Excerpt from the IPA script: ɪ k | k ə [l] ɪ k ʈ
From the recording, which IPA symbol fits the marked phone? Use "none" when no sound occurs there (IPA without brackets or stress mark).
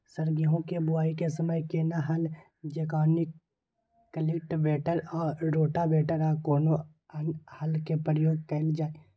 l